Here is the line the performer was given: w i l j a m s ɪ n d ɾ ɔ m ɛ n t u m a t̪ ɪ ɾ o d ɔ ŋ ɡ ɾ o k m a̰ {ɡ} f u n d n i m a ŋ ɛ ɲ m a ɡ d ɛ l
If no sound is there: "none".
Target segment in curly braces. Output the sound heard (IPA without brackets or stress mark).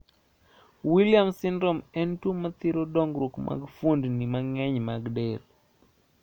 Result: ɡ